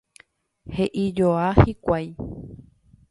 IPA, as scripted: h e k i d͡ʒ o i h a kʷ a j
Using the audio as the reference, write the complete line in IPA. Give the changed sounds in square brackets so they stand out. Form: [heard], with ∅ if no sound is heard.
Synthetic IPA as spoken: h e [ʔ] i d͡ʒ o [a] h [i] kʷ a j